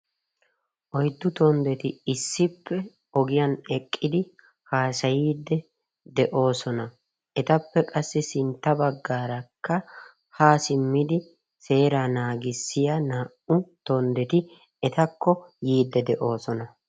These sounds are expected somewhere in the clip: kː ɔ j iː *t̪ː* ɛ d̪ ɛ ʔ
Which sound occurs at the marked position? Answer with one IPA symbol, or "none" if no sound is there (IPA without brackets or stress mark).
d̪ː